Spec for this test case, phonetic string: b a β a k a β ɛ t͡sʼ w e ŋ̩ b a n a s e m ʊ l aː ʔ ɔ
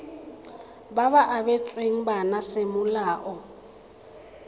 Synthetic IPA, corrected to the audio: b a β a ʔ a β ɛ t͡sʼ w e ŋ̩ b a n a s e m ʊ l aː ʔ ɔ